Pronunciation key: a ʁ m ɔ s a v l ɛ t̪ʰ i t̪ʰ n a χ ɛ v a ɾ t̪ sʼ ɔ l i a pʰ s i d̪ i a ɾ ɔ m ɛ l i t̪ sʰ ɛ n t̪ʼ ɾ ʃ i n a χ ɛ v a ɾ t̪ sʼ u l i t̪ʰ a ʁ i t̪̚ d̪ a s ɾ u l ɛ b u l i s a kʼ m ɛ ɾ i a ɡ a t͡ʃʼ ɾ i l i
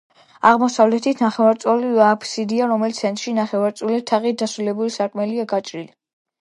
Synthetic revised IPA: a ʁ m ɔ s a v l ɛ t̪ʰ i t̪ʰ n a χ ɛ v a ɾ t̪ sʼ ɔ l i a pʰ s i d̪ i a ɾ ɔ m ɛ l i t̪ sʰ ɛ n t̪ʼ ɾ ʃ i n a χ ɛ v a ɾ t̪ sʼ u l i t̪ʰ a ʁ i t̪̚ d̪ a s ɾ u l ɛ b u l i s a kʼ m ɛ l i a ɡ a t͡ʃʼ ɾ i l i